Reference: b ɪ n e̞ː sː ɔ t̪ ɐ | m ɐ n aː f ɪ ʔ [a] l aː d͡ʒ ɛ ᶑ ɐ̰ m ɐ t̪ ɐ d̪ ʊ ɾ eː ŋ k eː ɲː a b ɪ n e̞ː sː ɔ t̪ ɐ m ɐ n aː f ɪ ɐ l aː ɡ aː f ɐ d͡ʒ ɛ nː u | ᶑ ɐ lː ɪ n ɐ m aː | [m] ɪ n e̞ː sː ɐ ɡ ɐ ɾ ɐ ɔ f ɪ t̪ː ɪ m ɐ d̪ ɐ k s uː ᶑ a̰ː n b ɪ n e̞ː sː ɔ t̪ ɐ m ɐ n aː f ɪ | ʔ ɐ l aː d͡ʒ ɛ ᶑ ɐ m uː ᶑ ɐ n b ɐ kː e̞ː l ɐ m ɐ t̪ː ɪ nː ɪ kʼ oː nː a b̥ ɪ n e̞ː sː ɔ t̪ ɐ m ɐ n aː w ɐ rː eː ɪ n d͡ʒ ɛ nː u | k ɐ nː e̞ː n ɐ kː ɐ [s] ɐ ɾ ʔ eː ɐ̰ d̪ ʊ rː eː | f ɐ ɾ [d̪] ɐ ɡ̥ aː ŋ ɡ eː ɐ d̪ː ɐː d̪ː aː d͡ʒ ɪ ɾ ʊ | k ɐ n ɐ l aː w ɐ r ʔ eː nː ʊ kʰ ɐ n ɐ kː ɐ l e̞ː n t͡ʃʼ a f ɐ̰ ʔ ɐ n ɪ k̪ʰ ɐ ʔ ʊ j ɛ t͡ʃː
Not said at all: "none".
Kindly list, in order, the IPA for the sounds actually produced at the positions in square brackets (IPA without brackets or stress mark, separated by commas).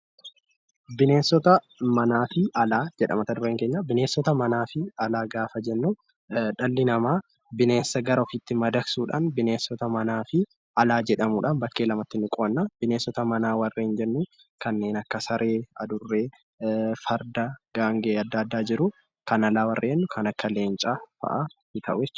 ɐ, b, s, d̪